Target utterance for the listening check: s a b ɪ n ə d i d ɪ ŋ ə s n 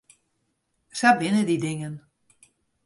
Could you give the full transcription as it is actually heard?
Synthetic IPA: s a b ɪ n ə d i d ɪ ŋ ə n